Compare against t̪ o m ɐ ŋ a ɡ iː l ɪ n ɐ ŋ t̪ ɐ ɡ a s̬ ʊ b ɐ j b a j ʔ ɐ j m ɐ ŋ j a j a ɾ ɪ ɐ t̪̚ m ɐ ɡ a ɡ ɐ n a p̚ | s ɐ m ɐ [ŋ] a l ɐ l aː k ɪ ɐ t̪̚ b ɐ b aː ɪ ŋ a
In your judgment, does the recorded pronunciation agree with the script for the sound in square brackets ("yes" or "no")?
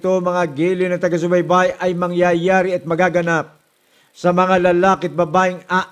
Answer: yes